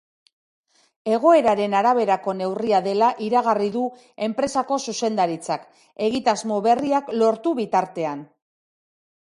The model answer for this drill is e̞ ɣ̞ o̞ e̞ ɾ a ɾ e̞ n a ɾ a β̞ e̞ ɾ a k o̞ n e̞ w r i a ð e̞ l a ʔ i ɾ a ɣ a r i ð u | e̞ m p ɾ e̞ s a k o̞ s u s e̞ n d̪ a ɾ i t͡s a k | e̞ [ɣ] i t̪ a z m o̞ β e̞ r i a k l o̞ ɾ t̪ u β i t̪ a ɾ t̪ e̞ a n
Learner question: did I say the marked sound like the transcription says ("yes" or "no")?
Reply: yes